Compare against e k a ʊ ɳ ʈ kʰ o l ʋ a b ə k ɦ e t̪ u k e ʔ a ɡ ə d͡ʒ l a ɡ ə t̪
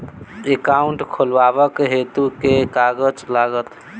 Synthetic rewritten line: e k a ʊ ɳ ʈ kʰ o l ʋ a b ə k ɦ e t̪ u k e k a ɡ ə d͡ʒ l a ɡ ə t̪